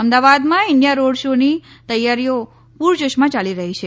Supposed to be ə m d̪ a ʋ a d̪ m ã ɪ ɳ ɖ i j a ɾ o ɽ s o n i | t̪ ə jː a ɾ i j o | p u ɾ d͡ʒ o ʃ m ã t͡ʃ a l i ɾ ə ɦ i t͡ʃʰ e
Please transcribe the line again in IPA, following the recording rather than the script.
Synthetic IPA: ə m d̪ a ʋ a d̪ m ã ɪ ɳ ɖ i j a ɾ o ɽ ʃ o n i | t̪ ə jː a ɾ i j o | p u ɾ d͡ʒ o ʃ m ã t͡ʃ a l i ɾ ə ɦ i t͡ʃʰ e